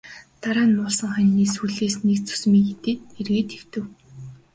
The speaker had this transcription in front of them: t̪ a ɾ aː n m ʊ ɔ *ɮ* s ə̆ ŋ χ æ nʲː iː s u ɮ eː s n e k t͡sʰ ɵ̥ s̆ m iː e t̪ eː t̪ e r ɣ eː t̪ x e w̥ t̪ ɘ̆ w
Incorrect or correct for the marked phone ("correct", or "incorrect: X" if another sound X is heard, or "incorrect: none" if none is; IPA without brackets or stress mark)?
correct